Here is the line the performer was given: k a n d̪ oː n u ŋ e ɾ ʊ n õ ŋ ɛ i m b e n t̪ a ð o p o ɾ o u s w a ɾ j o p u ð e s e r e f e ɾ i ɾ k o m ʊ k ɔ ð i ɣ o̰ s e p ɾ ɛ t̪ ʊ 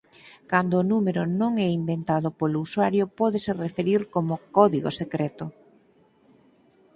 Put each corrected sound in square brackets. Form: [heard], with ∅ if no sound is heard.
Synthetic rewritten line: k a n d̪ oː n u [m] e ɾ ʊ n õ ŋ ɛ i m b e n t̪ a ð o p o [l] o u s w a ɾ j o p [ɔ] ð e s e r e f e ɾ i ɾ k o m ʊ k ɔ ð i ɣ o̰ s e [k] ɾ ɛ t̪ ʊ

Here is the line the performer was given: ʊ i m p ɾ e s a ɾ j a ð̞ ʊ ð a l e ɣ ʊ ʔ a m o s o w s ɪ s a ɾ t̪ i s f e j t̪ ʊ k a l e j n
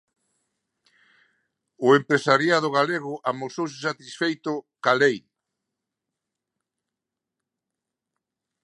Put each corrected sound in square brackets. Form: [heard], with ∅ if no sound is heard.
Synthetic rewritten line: ʊ [e] m p ɾ e s a ɾ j a ð̞ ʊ [ɣ] a l e ɣ ʊ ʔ a m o s o w s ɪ s a [∅] t̪ i s f e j t̪ ʊ k a l e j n

